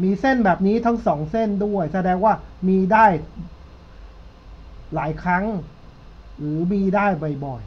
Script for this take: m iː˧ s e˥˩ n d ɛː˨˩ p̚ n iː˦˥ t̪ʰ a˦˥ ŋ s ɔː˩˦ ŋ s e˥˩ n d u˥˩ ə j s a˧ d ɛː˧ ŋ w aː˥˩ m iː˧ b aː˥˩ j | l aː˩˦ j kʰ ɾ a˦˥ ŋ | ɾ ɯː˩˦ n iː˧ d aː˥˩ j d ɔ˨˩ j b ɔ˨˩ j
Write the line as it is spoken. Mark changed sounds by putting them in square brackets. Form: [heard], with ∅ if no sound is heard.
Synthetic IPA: m iː˧ s e˥˩ n [b] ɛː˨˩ p̚ n iː˦˥ t̪ʰ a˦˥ ŋ s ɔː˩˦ ŋ s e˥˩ n d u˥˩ ə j s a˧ d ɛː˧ ŋ w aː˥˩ m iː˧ [d] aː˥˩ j | l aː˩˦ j kʰ ɾ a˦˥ ŋ | ɾ ɯː˩˦ [m] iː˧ d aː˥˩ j [b] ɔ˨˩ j b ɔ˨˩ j